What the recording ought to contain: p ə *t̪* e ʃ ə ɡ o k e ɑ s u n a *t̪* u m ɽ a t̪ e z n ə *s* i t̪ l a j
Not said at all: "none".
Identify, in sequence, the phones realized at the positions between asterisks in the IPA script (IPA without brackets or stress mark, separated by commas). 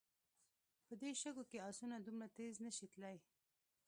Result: d̪, d̪, ʃ